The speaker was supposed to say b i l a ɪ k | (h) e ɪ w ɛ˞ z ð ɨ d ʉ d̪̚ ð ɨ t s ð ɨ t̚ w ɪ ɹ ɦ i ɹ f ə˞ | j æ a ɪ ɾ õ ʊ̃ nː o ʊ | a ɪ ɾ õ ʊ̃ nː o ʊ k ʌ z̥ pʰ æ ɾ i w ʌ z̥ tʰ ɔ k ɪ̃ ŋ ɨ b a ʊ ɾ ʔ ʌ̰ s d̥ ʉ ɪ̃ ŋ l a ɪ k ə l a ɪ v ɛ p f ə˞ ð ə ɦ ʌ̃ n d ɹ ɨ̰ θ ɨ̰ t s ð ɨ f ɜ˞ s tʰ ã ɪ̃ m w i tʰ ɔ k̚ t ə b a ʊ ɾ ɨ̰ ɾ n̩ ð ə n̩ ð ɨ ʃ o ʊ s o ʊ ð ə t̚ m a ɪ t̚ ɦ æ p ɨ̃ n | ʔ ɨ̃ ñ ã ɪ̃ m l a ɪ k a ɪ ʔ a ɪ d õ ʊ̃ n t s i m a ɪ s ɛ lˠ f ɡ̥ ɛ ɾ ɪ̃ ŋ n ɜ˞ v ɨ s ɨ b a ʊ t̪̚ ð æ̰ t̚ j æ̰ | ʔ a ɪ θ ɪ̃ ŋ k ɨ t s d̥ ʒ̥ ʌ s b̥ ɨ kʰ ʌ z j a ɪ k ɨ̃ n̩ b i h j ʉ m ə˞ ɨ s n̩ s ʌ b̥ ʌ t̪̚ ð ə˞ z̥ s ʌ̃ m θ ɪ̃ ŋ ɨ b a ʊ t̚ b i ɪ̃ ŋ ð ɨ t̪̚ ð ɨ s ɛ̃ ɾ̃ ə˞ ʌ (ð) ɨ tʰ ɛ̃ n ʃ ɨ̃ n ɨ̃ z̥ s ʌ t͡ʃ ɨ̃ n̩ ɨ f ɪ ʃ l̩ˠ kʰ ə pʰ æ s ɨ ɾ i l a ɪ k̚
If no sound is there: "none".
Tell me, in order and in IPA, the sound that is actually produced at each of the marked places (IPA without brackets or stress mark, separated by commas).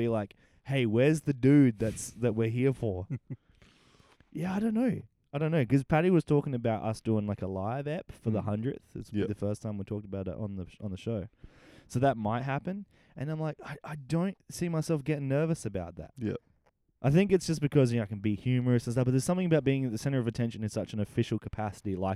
h, v